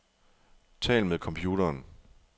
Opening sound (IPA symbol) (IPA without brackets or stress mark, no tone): t͡sʰ